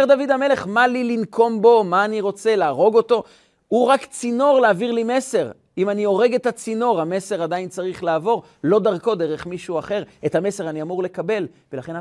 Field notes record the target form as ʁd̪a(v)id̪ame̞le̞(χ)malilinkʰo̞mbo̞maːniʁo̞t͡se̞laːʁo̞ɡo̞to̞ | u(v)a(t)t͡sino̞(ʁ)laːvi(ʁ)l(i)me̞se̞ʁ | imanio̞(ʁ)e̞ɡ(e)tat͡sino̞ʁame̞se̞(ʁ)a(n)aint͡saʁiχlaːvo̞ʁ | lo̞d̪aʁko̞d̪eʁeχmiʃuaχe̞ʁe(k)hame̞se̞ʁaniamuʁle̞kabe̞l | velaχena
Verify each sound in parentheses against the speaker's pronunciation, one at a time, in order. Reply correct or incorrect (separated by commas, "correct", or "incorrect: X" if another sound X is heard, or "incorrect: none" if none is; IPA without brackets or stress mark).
correct, correct, incorrect: ʁ, incorrect: k, correct, correct, correct, correct, correct, correct, incorrect: d, incorrect: t